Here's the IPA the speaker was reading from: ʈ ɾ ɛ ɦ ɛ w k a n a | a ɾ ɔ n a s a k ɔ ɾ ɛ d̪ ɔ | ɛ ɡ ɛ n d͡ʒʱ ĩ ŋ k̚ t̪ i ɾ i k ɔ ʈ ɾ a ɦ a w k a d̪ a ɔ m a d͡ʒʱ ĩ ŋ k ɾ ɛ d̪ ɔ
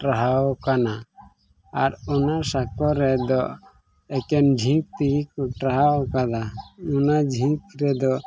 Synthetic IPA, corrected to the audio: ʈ ɾ a ɦ a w k a n a | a ɾ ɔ n a s a k ɔ ɾ ɛ d̪ ɔ | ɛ k ɛ n d͡ʒʱ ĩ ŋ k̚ t̪ i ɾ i k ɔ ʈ ɾ a ɦ a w k a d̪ a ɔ n a d͡ʒʱ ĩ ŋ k ɾ ɛ d̪ ɔ

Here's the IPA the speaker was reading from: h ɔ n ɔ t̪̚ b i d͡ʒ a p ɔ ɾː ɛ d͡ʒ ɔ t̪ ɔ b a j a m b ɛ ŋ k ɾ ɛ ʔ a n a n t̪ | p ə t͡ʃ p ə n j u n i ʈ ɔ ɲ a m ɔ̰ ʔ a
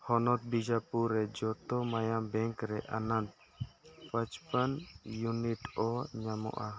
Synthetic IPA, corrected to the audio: h ɔ n ɔ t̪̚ b i d͡ʒ a p u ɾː ɛ d͡ʒ ɔ t̪ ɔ m a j a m b ɛ ŋ k ɾ ɛ ʔ a n a n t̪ | p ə t͡ʃ p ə n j u n i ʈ ɔ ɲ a m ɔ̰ ʔ a

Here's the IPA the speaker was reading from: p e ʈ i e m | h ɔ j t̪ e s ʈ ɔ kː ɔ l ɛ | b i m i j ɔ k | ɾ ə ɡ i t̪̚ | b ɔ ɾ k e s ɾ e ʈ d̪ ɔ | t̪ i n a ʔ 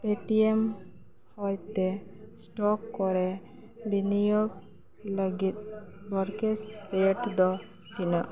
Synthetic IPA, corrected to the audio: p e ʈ i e m | h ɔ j t̪ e s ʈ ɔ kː ɔ ɾ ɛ | b i n i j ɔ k | l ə ɡ i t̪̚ | b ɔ ɾ k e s ɾ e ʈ d̪ ɔ | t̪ i n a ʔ

